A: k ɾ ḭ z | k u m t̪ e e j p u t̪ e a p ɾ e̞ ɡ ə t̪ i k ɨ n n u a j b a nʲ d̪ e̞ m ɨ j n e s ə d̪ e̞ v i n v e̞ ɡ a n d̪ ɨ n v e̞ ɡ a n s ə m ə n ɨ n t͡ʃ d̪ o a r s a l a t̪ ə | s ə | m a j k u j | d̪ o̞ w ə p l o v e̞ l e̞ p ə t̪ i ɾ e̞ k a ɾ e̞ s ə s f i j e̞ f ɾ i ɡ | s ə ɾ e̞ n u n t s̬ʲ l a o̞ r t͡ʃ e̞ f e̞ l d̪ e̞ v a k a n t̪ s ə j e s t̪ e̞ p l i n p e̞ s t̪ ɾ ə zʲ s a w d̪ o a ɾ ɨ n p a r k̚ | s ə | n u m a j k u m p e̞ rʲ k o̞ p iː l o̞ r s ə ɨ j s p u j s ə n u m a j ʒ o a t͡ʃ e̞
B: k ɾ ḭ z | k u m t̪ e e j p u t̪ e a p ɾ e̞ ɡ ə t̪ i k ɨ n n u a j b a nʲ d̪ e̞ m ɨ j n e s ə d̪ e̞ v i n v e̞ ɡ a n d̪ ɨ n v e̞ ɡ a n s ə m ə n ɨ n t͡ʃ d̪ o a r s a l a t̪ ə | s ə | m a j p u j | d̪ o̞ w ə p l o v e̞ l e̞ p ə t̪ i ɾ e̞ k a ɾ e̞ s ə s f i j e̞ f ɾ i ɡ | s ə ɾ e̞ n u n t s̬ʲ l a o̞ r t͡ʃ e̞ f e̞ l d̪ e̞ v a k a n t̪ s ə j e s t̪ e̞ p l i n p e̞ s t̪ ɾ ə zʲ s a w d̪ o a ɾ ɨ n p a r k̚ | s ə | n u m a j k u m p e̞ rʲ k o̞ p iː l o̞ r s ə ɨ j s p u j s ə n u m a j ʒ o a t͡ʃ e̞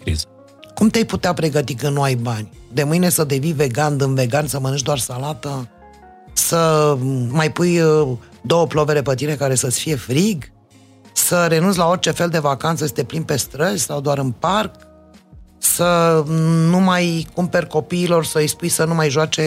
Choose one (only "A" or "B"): B